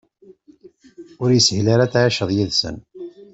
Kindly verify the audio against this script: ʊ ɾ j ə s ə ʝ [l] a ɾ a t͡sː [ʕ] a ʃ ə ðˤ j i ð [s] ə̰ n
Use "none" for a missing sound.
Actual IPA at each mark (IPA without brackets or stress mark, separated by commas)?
l, ʕ, s